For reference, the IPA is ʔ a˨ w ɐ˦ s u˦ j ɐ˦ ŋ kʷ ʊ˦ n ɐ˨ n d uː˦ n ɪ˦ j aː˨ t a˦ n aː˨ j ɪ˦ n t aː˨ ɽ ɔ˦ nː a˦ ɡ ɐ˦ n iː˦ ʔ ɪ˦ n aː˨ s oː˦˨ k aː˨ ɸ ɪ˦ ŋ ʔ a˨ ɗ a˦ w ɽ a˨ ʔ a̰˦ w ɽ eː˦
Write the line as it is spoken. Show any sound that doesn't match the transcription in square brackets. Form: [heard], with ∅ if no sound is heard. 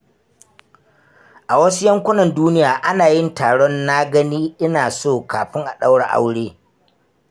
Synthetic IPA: ʔ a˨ w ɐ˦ s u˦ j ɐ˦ ŋ kʷ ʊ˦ n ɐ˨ n d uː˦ n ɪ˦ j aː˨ [ʔ] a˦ n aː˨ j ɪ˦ n t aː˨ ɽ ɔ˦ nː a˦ ɡ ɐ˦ n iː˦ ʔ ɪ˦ n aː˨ s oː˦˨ k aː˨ ɸ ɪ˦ ŋ ʔ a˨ ɗ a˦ w ɽ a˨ ʔ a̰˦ w ɽ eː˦